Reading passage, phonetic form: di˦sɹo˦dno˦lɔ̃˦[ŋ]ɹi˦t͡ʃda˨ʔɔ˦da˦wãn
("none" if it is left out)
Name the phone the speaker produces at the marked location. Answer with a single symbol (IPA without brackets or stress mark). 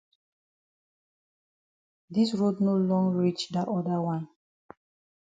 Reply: ŋ